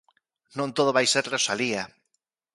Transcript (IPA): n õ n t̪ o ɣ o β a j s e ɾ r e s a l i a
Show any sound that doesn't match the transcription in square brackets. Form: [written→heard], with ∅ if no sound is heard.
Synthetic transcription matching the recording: n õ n t̪ o [ɣ→ð] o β a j s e ɾ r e s a l i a